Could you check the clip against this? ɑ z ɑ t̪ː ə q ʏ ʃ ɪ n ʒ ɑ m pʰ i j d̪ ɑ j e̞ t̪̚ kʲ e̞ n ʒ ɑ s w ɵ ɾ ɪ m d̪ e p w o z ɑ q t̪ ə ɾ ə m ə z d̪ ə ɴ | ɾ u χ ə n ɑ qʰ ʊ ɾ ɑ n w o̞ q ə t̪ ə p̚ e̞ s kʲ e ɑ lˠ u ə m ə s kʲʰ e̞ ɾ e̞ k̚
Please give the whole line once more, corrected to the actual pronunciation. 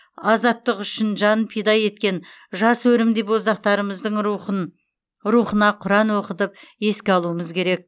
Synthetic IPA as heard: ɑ z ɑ t̪ː ə q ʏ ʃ ɪ n ʒ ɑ n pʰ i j d̪ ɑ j e̞ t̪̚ kʲ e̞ n ʒ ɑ s w ɵ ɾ ɪ m d̪ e p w o z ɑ q t̪ ɑ ɾ ə m ə z d̪ ə ɴ | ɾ u χ ə n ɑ qʰ ʊ ɾ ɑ n w o̞ q ə t̪ ə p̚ e̞ s kʲ e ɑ lˠ u ə m ə z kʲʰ e̞ ɾ e̞ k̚